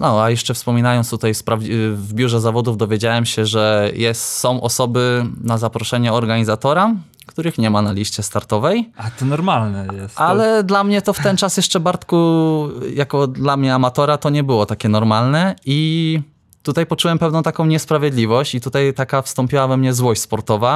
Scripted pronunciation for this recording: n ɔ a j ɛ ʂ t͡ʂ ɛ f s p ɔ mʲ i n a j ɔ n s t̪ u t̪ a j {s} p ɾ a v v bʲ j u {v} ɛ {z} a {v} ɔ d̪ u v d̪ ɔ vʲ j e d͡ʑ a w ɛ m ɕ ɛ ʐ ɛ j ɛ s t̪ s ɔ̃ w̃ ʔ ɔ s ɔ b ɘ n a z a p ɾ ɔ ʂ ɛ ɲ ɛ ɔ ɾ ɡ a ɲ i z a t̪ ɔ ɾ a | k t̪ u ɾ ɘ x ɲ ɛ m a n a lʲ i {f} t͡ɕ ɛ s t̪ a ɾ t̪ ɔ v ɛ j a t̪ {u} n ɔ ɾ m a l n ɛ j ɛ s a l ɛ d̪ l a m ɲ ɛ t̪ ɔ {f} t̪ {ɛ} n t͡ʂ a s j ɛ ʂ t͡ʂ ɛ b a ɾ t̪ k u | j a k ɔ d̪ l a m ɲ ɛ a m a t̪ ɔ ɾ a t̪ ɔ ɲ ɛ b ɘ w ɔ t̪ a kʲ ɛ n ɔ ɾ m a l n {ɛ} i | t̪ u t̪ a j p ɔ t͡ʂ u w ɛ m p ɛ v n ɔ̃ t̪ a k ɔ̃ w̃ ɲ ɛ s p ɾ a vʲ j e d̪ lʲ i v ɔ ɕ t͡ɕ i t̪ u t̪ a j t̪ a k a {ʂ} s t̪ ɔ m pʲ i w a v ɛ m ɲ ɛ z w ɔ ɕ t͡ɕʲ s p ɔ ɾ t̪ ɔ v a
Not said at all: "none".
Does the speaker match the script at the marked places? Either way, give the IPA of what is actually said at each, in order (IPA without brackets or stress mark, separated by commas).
s, ʐ, z, v, ɕ, ɔ, f, ɛ, ɛ, f